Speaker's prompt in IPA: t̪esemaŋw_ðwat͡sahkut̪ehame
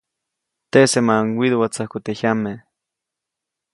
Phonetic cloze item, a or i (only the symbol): i